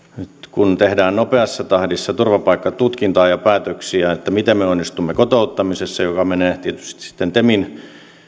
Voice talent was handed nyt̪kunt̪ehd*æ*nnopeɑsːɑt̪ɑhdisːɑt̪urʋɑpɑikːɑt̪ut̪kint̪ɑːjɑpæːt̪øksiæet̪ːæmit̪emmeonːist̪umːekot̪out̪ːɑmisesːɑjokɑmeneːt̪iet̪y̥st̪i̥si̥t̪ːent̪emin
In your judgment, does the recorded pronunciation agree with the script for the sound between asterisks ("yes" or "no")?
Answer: no